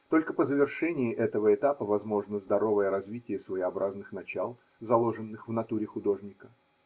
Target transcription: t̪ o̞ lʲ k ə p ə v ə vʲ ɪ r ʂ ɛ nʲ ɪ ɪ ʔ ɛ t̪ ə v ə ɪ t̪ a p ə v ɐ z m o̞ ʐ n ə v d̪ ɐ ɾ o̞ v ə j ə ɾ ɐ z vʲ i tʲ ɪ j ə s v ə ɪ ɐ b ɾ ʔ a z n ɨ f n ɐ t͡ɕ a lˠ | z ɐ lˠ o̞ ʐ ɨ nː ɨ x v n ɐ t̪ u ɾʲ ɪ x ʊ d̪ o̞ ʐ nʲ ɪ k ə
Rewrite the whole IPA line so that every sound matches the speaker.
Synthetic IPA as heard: t̪ o̞ lʲ k ə p ə z ə vʲ ɪ r ʂ ɛ nʲ ɪ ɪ ʔ ɛ t̪ ə v ə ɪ t̪ a p ə v ɐ z m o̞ ʐ n ə z d̪ ɐ ɾ o̞ v ə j ə ɾ ɐ z vʲ i tʲ ɪ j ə s v ə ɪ ɐ b ɾ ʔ a z n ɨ x n ɐ t͡ɕ a lˠ | z ɐ lˠ o̞ ʐ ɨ nː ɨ x v n ɐ t̪ u ɾʲ ɪ x ʊ d̪ o̞ ʐ nʲ ɪ k ə